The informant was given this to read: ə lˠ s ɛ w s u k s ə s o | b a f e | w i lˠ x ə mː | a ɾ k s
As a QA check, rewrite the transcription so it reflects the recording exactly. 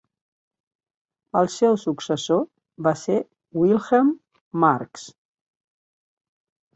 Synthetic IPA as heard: ə lˠ s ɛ w s u k s ə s o | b a s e | w i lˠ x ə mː | a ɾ k s